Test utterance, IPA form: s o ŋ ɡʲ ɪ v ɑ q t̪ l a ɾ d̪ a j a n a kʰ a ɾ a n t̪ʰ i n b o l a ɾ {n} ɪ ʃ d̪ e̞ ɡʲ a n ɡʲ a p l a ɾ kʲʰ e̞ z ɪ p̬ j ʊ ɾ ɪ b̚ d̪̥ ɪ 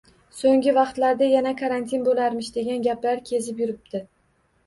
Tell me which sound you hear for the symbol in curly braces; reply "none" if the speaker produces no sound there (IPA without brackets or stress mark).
m